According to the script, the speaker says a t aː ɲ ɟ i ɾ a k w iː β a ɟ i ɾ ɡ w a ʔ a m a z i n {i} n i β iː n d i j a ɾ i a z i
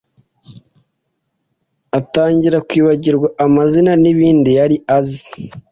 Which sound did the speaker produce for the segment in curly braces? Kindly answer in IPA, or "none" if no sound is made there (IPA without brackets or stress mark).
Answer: a